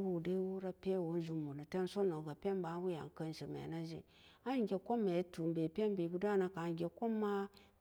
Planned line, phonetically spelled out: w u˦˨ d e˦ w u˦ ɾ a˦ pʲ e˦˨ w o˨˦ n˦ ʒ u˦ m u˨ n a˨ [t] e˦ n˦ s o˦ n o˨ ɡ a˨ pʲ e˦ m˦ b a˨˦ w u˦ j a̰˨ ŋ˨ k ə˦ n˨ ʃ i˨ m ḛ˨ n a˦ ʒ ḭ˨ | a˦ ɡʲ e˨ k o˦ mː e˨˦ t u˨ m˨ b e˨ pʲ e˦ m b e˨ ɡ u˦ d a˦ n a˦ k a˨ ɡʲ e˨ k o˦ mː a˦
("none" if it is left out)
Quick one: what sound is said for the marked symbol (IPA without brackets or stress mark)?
t